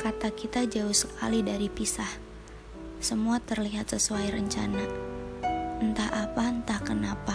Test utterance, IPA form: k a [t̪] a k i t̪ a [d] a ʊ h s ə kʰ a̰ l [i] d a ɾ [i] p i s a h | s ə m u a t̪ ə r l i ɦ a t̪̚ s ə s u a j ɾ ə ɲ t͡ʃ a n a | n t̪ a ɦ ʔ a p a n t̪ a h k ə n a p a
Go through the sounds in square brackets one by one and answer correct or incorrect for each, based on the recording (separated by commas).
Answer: correct, incorrect, correct, correct